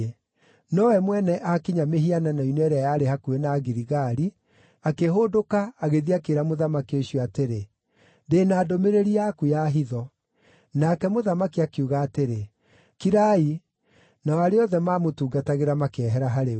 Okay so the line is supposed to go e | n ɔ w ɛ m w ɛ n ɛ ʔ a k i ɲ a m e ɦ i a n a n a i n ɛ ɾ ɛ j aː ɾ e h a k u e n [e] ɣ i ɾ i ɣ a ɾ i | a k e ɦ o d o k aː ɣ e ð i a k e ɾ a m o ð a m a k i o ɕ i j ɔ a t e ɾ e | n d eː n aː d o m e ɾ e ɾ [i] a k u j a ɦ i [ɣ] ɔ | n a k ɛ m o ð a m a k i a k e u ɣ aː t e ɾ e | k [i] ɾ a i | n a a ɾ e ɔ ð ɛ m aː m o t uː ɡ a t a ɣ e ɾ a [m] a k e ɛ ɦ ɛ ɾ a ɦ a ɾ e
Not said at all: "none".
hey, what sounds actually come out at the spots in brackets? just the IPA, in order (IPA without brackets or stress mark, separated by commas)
a, i, ð, i, m